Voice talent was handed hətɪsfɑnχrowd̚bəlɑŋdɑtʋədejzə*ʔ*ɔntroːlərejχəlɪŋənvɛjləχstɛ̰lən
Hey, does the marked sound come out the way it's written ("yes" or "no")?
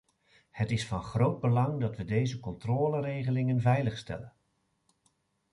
no